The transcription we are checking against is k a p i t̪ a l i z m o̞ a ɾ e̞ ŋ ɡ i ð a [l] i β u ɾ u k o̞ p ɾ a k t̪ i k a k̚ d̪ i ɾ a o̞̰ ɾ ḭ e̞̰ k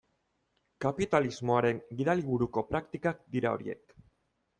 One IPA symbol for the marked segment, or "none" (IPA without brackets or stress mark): l